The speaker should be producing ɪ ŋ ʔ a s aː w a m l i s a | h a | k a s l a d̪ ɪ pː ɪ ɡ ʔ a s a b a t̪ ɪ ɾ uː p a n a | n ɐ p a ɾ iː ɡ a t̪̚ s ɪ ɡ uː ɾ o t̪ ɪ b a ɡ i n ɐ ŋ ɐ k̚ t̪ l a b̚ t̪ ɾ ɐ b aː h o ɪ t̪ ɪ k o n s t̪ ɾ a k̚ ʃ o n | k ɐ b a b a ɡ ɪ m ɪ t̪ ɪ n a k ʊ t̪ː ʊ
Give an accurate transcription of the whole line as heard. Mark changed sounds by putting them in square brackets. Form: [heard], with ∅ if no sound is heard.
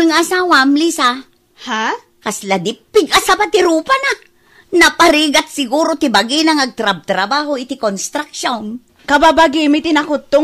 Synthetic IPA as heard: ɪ ŋ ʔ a s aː w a m l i s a | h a | k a s l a d̪ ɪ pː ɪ ɡ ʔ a s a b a t̪ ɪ ɾ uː p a n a | n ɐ p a ɾ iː ɡ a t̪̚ s ɪ ɡ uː ɾ o t̪ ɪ b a ɡ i n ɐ ŋ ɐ [ɡ̚] t̪ [ɾ] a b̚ t̪ ɾ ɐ b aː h o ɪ t̪ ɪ k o n s t̪ ɾ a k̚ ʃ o n | k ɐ b a b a ɡ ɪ m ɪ t̪ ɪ n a k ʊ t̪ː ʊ